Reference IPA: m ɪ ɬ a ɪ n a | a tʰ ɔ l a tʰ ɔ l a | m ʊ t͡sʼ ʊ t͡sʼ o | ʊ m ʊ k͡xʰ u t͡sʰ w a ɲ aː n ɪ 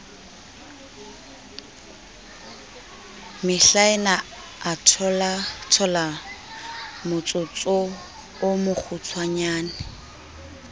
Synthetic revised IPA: m ɪ ɬ a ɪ n a | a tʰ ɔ l a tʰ ɔ l a | m ʊ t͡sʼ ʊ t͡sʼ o | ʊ m ʊ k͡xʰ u t͡sʰ w a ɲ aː n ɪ